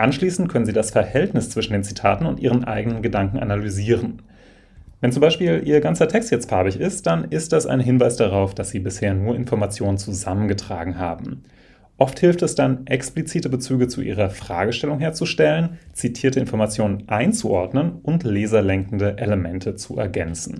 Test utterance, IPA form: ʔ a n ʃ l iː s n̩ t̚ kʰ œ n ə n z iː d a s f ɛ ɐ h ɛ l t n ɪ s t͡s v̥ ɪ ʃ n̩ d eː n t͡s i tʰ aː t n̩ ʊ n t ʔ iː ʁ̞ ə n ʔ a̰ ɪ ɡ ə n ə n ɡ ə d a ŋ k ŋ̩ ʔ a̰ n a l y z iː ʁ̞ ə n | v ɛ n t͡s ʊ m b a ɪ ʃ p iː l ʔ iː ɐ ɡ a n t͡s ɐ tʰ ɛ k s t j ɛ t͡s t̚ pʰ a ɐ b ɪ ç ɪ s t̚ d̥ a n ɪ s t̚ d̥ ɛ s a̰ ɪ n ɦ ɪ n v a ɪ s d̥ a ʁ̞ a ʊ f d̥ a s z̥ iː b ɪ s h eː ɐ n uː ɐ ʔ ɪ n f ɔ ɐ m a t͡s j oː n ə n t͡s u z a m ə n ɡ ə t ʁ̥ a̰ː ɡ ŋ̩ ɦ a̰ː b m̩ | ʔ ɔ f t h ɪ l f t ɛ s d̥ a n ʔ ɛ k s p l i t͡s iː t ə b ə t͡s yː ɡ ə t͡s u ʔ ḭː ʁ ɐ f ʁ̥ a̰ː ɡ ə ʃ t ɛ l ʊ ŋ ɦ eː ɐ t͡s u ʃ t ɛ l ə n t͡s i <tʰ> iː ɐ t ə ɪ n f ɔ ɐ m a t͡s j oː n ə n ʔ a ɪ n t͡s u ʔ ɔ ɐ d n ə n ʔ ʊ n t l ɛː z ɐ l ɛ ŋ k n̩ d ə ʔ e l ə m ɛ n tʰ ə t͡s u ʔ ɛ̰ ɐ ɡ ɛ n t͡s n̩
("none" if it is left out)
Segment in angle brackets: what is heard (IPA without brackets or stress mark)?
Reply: tʰ